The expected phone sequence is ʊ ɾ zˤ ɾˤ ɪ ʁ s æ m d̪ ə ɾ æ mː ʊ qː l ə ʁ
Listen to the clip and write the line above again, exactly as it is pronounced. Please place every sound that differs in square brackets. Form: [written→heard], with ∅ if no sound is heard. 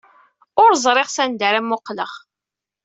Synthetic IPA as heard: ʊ ɾ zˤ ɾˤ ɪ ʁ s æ [m→n] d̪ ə ɾ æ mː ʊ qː l ə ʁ